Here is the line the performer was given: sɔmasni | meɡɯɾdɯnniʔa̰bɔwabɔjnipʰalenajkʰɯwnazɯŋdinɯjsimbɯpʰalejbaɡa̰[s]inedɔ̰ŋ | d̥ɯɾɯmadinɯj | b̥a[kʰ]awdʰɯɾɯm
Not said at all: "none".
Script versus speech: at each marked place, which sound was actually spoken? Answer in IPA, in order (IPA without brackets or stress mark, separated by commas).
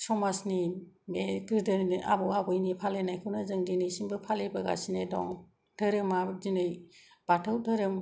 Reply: s, tʰ